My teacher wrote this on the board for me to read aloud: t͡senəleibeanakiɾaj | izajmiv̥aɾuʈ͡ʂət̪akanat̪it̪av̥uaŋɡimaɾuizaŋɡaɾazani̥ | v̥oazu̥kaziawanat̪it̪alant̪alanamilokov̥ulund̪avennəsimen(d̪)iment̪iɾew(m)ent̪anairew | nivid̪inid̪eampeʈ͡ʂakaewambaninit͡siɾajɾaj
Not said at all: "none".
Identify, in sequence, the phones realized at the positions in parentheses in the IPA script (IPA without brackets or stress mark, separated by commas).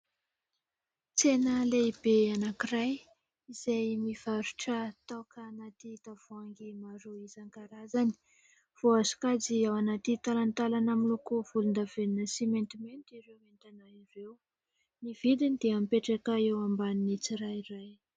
t̪, m